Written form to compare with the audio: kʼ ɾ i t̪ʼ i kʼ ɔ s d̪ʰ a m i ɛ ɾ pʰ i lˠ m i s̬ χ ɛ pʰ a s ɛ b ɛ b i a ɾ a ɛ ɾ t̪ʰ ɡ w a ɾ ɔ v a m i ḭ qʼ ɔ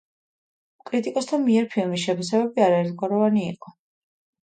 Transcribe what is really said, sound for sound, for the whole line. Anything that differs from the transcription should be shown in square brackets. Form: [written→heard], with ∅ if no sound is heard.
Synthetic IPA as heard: kʼ ɾ i t̪ʼ i kʼ ɔ s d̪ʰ a m i ɛ ɾ pʰ i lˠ m i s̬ [χ→ʃ] ɛ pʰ a s ɛ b ɛ b i a ɾ a ɛ ɾ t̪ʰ ɡ w a ɾ ɔ v a [m→n] i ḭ qʼ ɔ